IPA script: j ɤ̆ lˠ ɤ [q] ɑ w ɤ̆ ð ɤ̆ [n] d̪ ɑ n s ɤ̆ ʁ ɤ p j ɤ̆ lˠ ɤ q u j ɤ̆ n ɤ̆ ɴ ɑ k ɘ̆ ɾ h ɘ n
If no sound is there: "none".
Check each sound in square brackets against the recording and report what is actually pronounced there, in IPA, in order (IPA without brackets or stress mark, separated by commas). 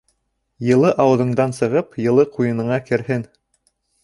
ʔ, ɴ